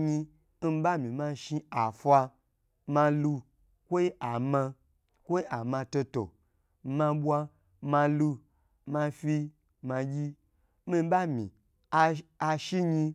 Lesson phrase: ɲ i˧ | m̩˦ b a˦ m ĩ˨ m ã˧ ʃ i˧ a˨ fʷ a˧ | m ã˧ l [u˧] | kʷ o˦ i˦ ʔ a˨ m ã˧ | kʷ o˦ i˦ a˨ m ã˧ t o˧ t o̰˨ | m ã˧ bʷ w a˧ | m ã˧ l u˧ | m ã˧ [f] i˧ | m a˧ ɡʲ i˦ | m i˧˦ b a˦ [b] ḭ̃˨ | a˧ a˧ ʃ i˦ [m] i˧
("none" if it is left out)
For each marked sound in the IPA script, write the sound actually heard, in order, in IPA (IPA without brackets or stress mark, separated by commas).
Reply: u˧, f, m, ɲ